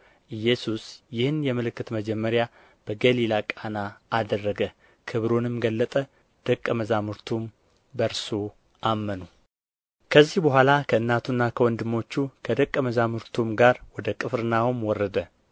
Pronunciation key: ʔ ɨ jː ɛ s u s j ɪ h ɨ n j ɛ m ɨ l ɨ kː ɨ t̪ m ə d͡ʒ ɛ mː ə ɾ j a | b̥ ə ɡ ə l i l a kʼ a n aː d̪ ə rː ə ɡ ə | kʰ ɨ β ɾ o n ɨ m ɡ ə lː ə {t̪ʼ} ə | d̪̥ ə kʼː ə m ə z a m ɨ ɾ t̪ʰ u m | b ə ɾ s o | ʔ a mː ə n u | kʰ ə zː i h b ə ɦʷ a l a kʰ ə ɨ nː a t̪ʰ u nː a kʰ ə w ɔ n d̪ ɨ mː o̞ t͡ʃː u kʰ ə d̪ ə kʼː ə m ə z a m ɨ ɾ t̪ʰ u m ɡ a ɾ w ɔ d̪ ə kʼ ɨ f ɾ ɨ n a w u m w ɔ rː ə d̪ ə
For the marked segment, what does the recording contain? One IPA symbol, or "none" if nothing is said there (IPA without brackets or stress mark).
t̪ʼ